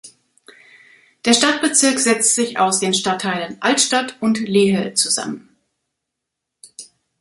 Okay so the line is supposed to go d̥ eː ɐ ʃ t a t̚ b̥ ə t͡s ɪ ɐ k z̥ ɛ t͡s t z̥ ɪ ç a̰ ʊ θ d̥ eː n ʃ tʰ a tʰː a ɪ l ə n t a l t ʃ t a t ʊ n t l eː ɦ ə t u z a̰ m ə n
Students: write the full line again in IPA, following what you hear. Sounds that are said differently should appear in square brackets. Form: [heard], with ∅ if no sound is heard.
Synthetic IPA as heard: d̥ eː ɐ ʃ t a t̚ b̥ ə t͡s ɪ ɐ k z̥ ɛ t͡s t z̥ ɪ ç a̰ ʊ [s] d̥ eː n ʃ [t] a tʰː a ɪ l ə n [ʔ] a l t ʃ t a t ʊ n t l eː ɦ ə [t͡s] u z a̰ m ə n